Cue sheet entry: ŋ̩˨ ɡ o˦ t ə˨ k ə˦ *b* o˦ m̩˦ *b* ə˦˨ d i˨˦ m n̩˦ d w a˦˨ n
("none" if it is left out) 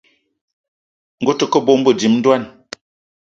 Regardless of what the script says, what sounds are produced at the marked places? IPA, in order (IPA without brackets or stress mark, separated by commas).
b, b